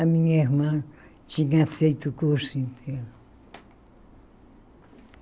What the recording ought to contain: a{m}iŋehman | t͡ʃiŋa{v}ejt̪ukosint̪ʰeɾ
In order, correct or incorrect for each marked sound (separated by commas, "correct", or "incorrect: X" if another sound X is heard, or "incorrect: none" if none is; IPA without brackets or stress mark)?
correct, incorrect: f